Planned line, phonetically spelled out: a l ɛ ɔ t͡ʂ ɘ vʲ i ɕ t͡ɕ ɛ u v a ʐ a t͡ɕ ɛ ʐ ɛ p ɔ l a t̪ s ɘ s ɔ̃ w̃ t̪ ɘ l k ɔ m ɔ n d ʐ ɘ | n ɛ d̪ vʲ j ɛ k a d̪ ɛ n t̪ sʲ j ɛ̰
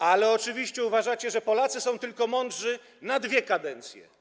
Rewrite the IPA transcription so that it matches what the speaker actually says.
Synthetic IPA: a l ɛ ɔ t͡ʂ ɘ vʲ i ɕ t͡ɕ ɛ u v a ʐ a t͡ɕ ɛ ʐ ɛ p ɔ l a t̪ s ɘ s ɔ̃ w̃ t̪ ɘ l k ɔ m ɔ n d ʐ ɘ | n a d̪ vʲ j ɛ k a d̪ ɛ n t̪ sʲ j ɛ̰

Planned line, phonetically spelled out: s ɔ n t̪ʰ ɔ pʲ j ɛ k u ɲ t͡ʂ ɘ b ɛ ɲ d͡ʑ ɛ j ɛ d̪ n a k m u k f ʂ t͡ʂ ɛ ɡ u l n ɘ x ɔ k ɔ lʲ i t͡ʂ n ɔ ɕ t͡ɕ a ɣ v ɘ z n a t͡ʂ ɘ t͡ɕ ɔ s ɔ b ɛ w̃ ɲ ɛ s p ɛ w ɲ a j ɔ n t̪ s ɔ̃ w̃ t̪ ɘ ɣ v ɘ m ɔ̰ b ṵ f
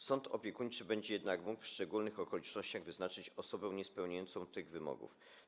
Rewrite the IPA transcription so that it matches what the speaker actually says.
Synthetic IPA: s ɔ n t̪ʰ ɔ pʲ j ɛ k u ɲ t͡ʂ ɘ b ɛ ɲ d͡ʑ ɛ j ɛ d̪ n a k m u k f ʂ t͡ʂ ɛ ɡ u l n ɘ x ɔ k ɔ lʲ i t͡ʂ n ɔ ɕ t͡ɕ a ɣ v ɘ z n a t͡ʂ ɘ t͡ɕ ɔ s ɔ b ɛ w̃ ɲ ɛ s p ɛ w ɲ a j ɔ n t̪ s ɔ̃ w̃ t̪ ɘ ɣ v ɘ m ɔ̰ ɡ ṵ f

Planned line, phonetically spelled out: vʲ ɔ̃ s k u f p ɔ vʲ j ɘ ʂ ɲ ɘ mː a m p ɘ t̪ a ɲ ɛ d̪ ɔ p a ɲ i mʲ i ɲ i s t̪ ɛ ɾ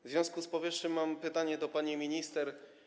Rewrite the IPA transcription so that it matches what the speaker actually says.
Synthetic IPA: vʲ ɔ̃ s k u s p ɔ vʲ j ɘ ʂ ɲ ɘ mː a m p ɘ t̪ a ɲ ɛ d̪ ɔ p a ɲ i mʲ i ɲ i s t̪ ɛ ɾ

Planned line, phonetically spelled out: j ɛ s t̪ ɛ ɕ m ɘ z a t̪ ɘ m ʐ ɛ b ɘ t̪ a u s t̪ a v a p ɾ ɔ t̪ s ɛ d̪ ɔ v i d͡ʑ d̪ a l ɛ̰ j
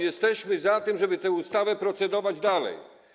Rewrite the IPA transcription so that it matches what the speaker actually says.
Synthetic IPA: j ɛ s t̪ ɛ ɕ m ɘ z a t̪ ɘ m ʐ ɛ b ɘ t̪ ɛ u s t̪ a v ɛ p ɾ ɔ t̪ s ɛ d̪ ɔ v a d͡ʑ d̪ a l ɛ̰ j

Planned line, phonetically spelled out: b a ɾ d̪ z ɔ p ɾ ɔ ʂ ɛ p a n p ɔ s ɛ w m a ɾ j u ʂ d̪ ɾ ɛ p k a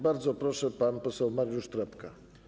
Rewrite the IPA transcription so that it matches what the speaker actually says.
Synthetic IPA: b a ɾ d̪ z ɔ p ɾ ɔ ʂ ɛ p a n p ɔ s ɛ w m a ɾ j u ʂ t̪ ɾ ɛ p k a

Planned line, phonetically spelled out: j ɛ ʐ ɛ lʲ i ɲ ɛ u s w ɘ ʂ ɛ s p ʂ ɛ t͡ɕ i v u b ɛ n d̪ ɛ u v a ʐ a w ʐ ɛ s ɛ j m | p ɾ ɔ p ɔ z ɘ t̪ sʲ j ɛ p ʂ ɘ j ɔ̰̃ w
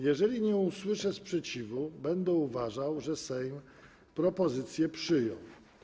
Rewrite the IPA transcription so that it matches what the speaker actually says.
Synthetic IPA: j ɛ ʐ ɛ lʲ i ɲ ɛ u s w ɘ ʂ ɛ s p ʂ ɛ t͡ɕ i v u b ɛ n d̪ ɛ u v a ʐ a w ʐ ɛ s ɛ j m | p ɾ ɔ p ɔ z ɘ t̪ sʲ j ɛ p ʂ ɘ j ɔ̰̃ w

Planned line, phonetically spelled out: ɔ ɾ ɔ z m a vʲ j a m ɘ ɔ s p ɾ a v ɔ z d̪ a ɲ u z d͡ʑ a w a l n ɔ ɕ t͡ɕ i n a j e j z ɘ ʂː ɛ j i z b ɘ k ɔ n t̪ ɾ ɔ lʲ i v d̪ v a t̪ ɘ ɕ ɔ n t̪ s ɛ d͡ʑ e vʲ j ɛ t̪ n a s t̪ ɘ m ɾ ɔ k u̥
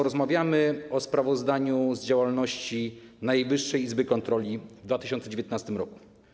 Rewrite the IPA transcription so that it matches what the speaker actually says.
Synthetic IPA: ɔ ɾ ɔ z m a vʲ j a m ɘ ɔ s p ɾ a v ɔ z d̪ a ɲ u z d͡ʑ a w a l n ɔ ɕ t͡ɕ i n a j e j v ɘ ʂː ɛ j i z b ɘ k ɔ n t̪ ɾ ɔ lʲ i v d̪ v a t̪ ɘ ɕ ɔ n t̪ s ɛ d͡ʑ e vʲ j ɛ t̪ n a s t̪ ɘ m ɾ ɔ k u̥

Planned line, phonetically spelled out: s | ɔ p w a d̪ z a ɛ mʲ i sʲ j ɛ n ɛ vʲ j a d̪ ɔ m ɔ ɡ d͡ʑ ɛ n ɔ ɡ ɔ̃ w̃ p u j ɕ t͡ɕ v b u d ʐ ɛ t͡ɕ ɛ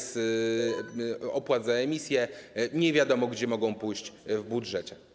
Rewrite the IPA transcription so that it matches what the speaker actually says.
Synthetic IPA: s | ɔ p w a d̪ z a ɛ mʲ i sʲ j ɛ ɲ ɛ vʲ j a d̪ ɔ m ɔ ɡ d͡ʑ ɛ m ɔ ɡ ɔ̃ w̃ p u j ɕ t͡ɕ v b u d ʐ ɛ t͡ɕ ɛ

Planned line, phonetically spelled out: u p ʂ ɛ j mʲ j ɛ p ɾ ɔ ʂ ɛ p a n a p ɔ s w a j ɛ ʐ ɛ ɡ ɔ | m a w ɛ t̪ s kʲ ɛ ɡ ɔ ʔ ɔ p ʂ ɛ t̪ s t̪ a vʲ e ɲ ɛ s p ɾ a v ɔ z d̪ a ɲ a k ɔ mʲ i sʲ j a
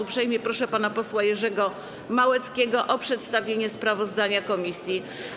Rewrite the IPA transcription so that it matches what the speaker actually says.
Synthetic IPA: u p ʂ ɛ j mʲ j ɛ p ɾ ɔ ʂ ɛ p a n a p ɔ s w a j ɛ ʐ ɛ ɡ ɔ | m a w ɛ t̪ s kʲ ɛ ɡ ɔ ʔ ɔ p ʂ ɛ t̪ s t̪ a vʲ e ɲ ɛ s p ɾ a v ɔ z d̪ a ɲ a k ɔ mʲ i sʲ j i

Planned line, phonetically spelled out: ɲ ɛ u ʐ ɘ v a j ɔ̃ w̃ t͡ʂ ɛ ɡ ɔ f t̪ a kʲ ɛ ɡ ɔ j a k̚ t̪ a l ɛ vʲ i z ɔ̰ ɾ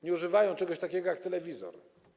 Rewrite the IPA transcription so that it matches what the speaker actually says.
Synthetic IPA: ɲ ɛ u ʐ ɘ v a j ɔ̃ w̃ t͡ʂ ɛ ɡ ɔ ɕ t̪ a kʲ ɛ ɡ ɔ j a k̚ t̪ ɛ l ɛ vʲ i z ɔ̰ ɾ

